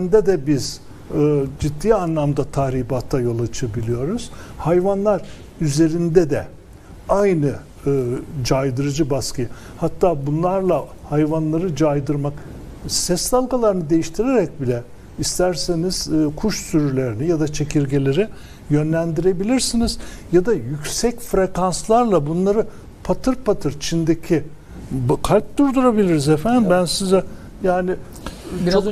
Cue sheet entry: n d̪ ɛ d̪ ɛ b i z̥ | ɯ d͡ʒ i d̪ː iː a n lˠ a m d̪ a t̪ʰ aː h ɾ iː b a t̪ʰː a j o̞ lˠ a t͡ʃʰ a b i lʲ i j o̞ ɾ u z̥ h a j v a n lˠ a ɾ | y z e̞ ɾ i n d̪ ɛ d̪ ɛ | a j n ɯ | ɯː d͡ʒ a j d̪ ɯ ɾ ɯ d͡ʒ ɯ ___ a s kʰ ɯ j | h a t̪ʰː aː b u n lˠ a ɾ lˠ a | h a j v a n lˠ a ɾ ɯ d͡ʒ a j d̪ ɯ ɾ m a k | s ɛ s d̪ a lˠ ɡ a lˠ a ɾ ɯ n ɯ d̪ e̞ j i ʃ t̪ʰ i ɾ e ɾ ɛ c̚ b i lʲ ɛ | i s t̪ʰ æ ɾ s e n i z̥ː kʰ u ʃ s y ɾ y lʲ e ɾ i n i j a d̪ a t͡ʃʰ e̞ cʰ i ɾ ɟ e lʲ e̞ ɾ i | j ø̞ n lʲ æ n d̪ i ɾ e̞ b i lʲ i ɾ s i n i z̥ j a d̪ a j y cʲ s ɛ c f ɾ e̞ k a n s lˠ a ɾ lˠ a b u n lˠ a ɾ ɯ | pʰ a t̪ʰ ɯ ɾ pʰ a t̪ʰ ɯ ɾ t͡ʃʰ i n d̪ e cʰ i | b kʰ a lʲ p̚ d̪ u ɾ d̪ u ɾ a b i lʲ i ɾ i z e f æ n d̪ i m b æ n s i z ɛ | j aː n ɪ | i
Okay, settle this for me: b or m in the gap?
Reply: b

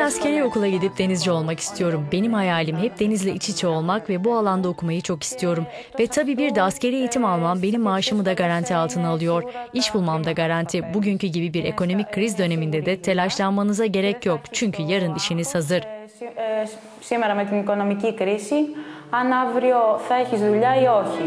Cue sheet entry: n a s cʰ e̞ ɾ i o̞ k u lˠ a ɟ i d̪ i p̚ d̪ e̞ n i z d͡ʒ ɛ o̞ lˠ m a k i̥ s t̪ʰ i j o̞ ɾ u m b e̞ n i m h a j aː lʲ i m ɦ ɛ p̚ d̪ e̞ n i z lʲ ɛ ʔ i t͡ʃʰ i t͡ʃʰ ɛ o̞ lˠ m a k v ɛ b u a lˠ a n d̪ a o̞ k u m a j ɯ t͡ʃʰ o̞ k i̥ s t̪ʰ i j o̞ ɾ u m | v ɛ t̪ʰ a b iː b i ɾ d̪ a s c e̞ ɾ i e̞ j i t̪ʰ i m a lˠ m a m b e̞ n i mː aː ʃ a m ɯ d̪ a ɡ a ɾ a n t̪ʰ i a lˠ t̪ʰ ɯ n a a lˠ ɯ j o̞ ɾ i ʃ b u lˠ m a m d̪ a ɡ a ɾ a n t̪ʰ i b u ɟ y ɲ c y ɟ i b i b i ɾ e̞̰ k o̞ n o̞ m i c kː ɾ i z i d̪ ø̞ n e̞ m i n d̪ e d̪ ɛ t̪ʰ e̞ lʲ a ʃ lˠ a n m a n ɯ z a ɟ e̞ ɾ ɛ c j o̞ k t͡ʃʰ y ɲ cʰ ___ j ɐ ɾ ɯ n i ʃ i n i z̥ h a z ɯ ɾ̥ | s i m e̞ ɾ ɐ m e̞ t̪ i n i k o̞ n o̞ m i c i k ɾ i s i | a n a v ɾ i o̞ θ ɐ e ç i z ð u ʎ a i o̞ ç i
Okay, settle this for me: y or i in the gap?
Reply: y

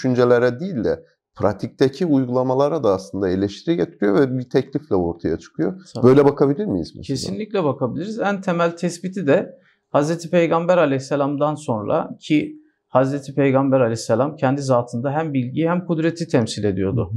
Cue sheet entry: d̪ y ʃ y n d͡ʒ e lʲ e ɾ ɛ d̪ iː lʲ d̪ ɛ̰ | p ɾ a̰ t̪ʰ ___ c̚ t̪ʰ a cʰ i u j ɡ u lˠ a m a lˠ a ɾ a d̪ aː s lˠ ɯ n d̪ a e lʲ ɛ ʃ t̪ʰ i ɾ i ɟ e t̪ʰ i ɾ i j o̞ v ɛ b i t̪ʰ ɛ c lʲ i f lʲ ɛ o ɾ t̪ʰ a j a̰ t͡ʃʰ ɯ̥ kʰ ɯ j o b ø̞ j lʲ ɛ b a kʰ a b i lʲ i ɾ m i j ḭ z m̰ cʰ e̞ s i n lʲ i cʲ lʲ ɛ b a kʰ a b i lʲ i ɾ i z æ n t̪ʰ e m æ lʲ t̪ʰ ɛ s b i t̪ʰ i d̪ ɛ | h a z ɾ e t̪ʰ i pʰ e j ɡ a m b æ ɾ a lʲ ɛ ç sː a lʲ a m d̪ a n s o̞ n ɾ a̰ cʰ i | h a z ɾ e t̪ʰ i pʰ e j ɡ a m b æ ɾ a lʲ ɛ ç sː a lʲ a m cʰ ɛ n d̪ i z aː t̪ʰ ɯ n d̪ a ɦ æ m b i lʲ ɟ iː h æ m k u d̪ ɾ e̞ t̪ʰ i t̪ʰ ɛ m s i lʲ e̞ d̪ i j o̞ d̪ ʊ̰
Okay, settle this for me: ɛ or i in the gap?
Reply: i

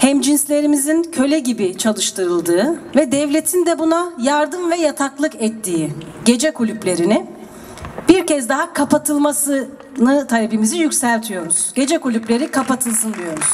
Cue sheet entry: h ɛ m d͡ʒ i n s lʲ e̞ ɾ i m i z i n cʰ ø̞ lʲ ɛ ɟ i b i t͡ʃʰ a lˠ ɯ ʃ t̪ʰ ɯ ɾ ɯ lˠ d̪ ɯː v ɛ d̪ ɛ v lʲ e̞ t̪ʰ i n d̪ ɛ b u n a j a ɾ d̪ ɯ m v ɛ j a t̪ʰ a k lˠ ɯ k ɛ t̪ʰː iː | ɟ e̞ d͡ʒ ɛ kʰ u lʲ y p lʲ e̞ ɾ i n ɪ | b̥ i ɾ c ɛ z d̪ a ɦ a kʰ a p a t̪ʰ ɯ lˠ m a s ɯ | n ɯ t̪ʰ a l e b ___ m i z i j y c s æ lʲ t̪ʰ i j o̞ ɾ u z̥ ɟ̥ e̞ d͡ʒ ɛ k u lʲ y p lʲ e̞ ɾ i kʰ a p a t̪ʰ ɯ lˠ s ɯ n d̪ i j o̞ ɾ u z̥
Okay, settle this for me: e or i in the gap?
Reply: i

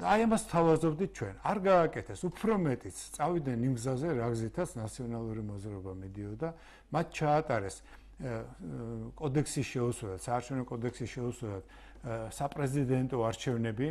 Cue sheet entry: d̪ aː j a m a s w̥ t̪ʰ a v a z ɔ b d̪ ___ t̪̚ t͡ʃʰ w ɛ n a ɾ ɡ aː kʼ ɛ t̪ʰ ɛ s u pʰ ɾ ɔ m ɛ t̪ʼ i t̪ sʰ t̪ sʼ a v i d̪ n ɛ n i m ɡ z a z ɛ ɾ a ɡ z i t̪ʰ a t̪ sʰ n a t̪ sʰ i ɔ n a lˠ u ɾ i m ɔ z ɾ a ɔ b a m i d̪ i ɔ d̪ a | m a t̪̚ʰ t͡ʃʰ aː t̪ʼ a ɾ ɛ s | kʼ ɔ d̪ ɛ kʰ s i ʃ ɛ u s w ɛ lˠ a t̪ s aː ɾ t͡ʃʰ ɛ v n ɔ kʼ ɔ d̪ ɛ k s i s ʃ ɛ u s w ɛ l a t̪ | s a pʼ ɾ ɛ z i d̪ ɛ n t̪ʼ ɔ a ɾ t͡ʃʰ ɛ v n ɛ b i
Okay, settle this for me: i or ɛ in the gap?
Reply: i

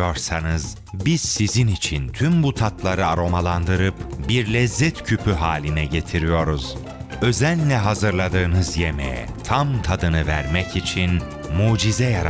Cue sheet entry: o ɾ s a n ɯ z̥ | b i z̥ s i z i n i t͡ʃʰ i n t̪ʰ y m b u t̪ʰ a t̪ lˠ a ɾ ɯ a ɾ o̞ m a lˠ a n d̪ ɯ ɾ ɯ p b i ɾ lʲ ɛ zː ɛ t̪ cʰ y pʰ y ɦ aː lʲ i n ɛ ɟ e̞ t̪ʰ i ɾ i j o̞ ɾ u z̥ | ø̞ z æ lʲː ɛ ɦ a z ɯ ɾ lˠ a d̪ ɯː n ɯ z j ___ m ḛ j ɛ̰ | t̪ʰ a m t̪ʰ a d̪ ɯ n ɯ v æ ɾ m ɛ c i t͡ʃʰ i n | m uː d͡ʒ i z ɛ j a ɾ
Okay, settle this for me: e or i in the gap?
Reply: e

